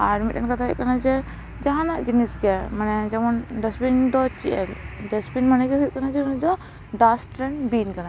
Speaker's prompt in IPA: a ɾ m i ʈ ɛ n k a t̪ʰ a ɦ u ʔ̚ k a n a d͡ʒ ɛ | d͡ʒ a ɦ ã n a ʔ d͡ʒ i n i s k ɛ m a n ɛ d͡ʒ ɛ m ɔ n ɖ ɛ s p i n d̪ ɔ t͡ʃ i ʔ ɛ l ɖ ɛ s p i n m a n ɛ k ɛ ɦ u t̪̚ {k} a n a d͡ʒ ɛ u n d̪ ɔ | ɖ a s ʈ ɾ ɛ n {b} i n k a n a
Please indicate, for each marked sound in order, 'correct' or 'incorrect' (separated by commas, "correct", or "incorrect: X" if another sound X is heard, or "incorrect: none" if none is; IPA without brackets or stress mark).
correct, correct